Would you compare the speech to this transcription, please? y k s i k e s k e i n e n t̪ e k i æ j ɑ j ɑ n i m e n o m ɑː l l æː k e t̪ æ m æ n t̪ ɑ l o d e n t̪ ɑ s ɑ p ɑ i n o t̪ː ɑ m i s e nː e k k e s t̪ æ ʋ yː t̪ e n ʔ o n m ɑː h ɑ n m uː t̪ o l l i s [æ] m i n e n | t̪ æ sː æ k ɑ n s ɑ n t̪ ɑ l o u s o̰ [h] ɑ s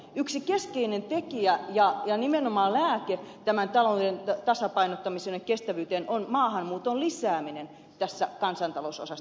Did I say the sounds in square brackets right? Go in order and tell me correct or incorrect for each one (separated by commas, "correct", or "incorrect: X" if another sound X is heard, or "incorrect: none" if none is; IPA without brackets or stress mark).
incorrect: æː, incorrect: s